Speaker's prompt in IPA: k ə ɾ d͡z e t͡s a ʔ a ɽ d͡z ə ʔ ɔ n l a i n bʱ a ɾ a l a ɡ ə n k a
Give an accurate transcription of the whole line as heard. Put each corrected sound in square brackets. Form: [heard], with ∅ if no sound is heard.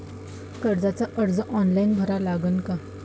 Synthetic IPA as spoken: k ə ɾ d͡z [a] t͡s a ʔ [ə] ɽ d͡z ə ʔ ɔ n l a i n bʱ [ə] ɾ a l a ɡ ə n k a